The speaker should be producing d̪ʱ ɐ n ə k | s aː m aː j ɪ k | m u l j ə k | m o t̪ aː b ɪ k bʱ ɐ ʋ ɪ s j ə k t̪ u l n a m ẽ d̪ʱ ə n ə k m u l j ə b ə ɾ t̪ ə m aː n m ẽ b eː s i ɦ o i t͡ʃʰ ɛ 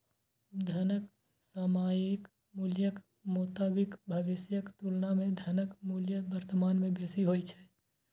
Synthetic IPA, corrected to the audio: d̪ʱ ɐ n ə k | s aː m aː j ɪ k | m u l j ə k | m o t̪ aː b ɪ k bʱ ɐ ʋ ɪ s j ə k t̪ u l n a m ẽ d̪ʱ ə n ə k m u l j ə b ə ɾ t̪ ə m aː n m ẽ b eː s i ɦ o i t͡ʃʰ ɛ